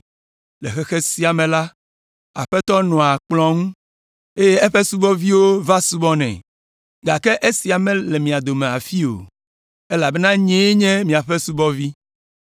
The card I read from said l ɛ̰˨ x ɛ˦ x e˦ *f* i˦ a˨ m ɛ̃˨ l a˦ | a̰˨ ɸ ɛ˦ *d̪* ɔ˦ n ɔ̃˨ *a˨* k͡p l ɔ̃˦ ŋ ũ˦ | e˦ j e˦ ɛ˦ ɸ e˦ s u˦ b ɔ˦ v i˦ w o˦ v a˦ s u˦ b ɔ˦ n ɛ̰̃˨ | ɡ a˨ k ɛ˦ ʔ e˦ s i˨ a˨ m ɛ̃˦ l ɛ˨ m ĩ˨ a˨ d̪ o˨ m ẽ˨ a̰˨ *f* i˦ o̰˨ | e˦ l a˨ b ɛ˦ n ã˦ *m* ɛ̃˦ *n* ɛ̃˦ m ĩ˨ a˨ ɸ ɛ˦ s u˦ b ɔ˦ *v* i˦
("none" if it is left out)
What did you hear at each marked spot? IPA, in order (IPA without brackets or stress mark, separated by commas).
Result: s, t̪, a˨, f, ɲ, ɲ, v